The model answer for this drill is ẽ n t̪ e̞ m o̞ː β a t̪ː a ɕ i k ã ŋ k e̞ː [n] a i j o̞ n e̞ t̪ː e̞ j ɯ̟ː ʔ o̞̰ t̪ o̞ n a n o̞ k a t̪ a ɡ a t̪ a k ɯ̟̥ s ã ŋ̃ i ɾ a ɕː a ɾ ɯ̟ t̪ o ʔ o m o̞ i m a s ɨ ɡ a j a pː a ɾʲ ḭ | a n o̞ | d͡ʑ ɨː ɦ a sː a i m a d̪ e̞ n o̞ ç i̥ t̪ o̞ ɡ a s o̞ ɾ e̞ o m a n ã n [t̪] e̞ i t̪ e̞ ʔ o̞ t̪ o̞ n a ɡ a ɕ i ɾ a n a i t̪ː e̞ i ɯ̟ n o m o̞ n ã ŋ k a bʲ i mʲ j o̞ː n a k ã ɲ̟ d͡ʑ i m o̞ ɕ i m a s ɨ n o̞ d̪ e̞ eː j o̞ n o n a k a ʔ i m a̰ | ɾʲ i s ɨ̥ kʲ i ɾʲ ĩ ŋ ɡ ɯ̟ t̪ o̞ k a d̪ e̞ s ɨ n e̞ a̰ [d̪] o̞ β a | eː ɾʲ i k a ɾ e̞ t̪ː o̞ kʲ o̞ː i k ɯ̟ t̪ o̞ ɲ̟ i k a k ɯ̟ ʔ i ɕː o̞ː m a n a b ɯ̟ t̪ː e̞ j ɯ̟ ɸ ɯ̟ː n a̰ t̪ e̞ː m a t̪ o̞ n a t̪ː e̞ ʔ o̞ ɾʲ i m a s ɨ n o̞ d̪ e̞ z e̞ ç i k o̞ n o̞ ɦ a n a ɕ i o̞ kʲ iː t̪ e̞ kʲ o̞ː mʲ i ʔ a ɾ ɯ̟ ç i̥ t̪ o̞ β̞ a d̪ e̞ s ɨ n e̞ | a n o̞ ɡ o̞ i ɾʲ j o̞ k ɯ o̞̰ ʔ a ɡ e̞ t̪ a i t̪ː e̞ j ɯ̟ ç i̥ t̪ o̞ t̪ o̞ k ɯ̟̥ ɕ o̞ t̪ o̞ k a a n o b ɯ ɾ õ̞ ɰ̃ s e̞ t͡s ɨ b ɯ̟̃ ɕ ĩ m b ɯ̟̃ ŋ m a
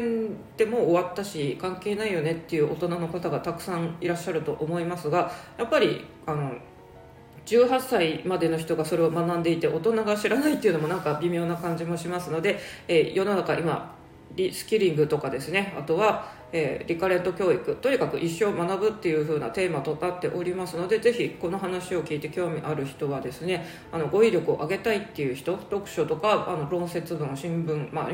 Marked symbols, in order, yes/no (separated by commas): yes, no, no